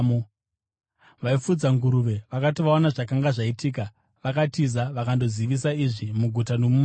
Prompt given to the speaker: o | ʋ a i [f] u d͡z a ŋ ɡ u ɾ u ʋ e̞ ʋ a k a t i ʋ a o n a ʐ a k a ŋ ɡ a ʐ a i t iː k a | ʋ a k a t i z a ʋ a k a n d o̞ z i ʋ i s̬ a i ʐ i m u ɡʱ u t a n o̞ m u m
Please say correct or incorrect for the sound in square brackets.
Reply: correct